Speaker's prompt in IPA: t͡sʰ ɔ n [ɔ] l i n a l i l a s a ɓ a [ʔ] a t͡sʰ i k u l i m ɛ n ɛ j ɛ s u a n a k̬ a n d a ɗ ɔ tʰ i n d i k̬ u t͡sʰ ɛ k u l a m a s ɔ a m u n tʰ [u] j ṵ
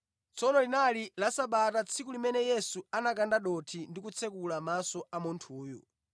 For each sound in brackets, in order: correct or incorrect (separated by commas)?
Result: correct, incorrect, incorrect